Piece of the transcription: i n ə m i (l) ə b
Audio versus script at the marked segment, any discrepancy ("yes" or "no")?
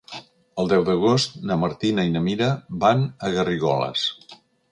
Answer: yes